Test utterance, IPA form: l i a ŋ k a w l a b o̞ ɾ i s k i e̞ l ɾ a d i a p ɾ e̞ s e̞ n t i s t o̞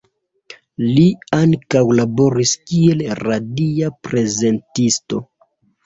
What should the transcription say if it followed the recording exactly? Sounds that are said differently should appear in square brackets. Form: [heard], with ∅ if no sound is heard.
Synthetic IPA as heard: l i a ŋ k a w l a b o̞ ɾ i s k i e̞ l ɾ a d i a p ɾ e̞ [z] e̞ n t i s t o̞